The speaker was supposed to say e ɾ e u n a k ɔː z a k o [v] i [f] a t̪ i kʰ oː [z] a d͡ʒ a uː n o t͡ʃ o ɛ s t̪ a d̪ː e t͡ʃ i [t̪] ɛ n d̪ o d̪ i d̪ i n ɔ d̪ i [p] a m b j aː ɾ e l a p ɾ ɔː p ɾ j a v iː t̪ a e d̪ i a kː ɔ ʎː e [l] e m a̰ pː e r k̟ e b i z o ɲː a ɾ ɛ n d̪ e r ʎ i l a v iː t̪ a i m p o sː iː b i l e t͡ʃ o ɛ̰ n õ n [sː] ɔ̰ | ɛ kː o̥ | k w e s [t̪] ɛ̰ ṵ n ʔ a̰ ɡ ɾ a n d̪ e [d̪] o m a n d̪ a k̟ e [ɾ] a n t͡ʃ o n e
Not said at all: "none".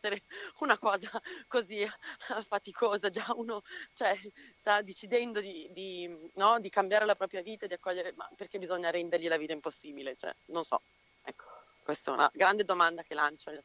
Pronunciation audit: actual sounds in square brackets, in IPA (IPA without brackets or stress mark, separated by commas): z, f, z, d̪, k, ɾ, s, t̪, d̪, l